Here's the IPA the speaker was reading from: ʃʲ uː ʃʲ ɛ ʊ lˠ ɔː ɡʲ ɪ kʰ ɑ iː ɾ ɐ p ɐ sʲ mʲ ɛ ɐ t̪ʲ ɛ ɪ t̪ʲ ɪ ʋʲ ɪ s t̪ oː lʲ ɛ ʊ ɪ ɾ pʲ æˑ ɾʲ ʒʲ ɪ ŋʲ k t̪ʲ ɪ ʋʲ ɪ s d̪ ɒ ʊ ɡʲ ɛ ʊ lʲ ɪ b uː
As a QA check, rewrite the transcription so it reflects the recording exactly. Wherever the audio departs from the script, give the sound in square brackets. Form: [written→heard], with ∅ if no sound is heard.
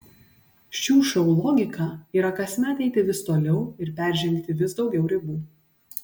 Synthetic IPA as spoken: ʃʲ uː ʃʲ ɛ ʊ lˠ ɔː ɡʲ ɪ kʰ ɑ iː ɾ ɐ [p→k] ɐ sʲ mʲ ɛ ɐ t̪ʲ ɛ ɪ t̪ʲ ɪ ʋʲ ɪ s t̪ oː lʲ ɛ ʊ ɪ ɾ pʲ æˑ ɾʲ ʒʲ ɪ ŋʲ k t̪ʲ ɪ ʋʲ ɪ s d̪ ɒ ʊ ɡʲ ɛ ʊ [lʲ→ɾʲ] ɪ b uː

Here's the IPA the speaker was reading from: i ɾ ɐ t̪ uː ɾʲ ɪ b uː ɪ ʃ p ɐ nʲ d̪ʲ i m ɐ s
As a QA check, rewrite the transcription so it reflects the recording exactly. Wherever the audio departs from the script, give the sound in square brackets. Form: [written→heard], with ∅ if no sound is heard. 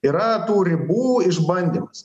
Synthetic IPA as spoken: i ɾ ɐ t̪ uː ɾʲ ɪ b uː ɪ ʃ [p→b] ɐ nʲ d̪ʲ i m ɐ s

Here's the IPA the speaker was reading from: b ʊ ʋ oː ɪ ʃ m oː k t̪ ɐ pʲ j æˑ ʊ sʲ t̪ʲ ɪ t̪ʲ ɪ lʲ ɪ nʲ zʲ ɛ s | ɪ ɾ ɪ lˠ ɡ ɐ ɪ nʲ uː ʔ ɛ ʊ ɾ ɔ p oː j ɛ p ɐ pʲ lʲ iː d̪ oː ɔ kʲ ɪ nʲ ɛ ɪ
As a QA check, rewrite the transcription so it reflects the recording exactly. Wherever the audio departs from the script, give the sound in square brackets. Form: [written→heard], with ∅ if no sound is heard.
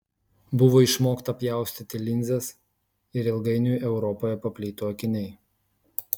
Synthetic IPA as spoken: b ʊ ʋ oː ɪ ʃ m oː k t̪ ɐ pʲ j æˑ ʊ sʲ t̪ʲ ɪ t̪ʲ ɪ lʲ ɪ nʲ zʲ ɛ s | ɪ ɾ ɪ lˠ ɡ ɐ ɪ nʲ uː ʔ ɛ ʊ ɾ ɔ p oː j ɛ p ɐ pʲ lʲ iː [d̪→t̪] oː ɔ kʲ ɪ nʲ ɛ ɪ

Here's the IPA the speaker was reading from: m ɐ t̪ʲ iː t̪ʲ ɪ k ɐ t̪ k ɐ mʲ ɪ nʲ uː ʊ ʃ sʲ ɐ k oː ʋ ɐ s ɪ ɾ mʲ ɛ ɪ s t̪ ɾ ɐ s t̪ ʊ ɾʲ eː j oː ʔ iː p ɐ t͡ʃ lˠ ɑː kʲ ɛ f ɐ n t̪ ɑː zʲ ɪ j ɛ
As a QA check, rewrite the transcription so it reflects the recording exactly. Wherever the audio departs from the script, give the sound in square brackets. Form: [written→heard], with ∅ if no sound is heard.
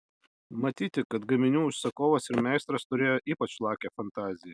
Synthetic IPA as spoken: m ɐ t̪ʲ iː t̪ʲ ɪ k ɐ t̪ [k→ɡ] ɐ mʲ ɪ nʲ uː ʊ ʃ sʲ ɐ k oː ʋ ɐ s ɪ ɾ mʲ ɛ ɪ s t̪ ɾ ɐ s t̪ ʊ ɾʲ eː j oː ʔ iː p ɐ t͡ʃ lˠ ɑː kʲ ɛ f ɐ n t̪ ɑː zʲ ɪ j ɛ

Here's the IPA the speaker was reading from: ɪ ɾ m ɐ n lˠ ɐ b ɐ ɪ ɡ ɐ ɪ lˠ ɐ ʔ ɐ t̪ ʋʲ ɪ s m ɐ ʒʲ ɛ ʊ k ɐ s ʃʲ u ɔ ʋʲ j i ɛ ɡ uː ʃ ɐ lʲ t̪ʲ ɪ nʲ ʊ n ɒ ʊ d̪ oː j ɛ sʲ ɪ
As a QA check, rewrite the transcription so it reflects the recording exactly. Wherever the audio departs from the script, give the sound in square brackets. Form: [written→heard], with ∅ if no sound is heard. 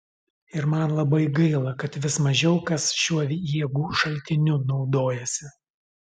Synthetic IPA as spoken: ɪ ɾ m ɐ n lˠ ɐ b ɐ ɪ ɡ ɐ ɪ lˠ ɐ [ʔ→k] ɐ t̪ ʋʲ ɪ s m ɐ ʒʲ ɛ ʊ k ɐ s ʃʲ u ɔ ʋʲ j i ɛ ɡ uː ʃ ɐ lʲ t̪ʲ ɪ nʲ ʊ n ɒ ʊ d̪ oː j ɛ sʲ ɪ

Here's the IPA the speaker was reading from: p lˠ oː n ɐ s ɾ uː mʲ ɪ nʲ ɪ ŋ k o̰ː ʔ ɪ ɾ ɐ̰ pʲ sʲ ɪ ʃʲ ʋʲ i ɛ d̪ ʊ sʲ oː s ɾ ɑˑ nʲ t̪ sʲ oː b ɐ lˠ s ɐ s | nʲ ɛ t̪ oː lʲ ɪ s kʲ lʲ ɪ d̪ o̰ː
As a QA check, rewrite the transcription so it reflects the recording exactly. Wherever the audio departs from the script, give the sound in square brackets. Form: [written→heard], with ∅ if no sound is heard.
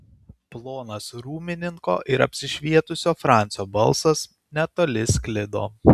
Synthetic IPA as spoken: p lˠ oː n ɐ s ɾ uː mʲ ɪ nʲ ɪ ŋ k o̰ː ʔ ɪ ɾ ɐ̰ pʲ sʲ ɪ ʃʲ ʋʲ i ɛ [d̪→t̪] ʊ sʲ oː [s→f] ɾ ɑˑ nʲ t̪ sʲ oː b ɐ lˠ s ɐ s | nʲ ɛ t̪ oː lʲ ɪ s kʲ lʲ ɪ d̪ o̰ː

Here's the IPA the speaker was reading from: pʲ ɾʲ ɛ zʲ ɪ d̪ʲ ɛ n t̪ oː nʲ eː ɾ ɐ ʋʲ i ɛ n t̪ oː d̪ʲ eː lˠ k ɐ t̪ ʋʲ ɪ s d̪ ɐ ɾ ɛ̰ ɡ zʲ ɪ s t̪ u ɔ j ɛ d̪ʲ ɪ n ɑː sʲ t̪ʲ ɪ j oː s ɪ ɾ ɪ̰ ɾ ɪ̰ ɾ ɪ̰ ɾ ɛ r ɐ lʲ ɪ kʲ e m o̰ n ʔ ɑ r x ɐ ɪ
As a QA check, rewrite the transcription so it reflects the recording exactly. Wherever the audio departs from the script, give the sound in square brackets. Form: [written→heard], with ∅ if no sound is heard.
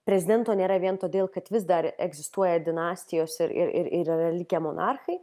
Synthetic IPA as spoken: pʲ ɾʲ ɛ zʲ ɪ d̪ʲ ɛ n t̪ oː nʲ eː ɾ ɐ ʋʲ i ɛ n t̪ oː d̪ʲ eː lˠ k ɐ t̪ ʋʲ ɪ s d̪ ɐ ɾ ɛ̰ ɡ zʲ ɪ s t̪ u ɔ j ɛ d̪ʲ ɪ n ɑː sʲ t̪ʲ ɪ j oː s ɪ ɾ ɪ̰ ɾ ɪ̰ ɾ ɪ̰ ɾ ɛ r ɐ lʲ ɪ kʲ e m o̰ n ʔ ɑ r x ɐ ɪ

